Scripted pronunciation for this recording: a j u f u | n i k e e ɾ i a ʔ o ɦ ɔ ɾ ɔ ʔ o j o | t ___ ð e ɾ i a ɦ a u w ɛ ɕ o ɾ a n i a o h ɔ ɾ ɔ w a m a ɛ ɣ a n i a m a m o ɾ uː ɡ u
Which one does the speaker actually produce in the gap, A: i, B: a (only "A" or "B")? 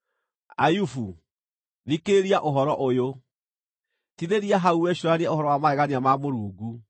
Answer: A